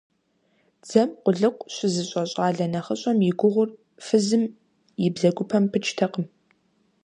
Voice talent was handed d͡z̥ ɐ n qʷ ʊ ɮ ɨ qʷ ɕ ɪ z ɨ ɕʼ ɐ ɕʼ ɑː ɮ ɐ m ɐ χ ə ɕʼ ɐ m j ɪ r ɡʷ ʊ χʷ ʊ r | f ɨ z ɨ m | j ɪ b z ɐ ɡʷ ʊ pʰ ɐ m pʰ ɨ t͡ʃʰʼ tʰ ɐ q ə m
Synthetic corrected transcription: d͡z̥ ɐ m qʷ ʊ ɮ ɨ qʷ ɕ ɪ z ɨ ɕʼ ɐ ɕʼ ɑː ɮ ɐ n ɐ χ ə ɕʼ ɐ m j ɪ ɡʷ ʊ ʁʷ ʊ r | f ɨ z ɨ m | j ɪ b z ɐ ɡʷ ʊ pʰ ɐ m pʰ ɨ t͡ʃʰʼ tʰ ɐ q ə m